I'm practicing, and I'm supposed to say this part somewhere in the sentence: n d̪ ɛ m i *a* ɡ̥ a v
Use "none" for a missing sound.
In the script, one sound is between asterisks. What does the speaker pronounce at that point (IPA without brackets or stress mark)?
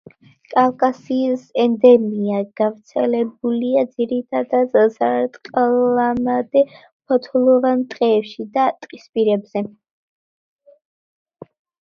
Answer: a